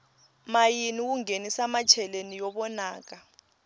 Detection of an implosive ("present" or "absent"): present